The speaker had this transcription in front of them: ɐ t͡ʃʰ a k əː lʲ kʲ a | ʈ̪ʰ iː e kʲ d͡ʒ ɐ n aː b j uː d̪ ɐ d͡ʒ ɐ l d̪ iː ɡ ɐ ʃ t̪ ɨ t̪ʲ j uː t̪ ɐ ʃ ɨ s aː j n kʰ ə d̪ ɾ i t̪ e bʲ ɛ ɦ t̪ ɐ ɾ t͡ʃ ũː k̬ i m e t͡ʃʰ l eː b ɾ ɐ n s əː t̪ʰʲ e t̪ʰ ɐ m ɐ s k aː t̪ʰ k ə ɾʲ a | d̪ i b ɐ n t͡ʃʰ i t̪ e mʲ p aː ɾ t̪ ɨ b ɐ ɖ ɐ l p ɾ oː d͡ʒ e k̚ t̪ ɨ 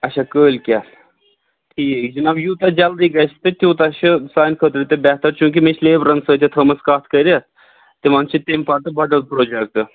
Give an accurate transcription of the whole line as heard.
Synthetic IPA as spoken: ɐ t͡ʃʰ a k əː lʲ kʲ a | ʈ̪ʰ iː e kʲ d͡ʒ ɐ n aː b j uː t̪ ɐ d͡ʒ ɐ l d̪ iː ɡ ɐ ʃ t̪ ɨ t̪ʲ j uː t̪ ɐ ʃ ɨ s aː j n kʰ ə t̪ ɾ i t̪ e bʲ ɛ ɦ t̪ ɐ ɾ t͡ʃ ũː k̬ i m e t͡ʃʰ l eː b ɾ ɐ n s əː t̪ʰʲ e t̪ʰ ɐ m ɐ s k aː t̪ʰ k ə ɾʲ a | t̪ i m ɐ n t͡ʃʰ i t̪ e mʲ p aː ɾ t̪ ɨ b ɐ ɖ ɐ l p ɾ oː d͡ʒ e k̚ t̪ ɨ